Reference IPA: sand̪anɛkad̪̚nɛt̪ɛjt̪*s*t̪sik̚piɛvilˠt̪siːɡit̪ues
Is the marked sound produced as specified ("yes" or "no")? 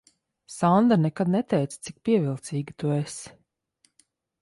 yes